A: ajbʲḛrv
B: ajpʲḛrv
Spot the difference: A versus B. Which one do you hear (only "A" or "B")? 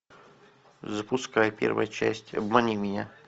B